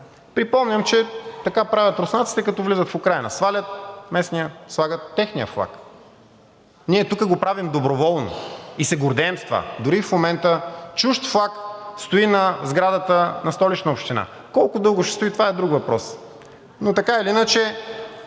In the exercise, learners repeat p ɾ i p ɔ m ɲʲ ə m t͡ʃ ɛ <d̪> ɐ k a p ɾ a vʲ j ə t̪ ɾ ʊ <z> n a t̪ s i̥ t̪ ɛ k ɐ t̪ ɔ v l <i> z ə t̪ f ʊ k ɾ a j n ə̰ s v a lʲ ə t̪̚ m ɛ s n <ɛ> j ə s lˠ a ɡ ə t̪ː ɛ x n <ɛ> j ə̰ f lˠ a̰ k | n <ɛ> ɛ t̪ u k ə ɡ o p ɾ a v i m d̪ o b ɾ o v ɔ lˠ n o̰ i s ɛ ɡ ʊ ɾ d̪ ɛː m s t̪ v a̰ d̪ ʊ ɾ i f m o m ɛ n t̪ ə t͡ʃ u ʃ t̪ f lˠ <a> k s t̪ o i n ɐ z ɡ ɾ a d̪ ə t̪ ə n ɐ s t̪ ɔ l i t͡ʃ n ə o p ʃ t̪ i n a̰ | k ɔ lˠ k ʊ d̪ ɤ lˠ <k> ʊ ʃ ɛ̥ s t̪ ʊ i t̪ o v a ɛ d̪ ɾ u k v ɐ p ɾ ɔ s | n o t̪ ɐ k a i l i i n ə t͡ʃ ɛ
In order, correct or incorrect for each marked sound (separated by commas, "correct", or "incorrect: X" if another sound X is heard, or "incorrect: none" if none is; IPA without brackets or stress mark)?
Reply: incorrect: t̪, incorrect: s, correct, incorrect: i, incorrect: i, incorrect: i, correct, incorrect: ɡ